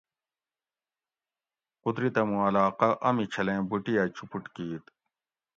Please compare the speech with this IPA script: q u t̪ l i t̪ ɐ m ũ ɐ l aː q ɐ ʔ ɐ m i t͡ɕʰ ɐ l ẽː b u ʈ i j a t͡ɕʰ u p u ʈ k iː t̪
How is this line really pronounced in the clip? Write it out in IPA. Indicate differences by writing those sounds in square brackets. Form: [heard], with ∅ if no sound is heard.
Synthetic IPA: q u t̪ [ɾ] i t̪ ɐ m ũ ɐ l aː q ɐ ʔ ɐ m i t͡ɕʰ ɐ l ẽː b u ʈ i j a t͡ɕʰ u p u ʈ k iː t̪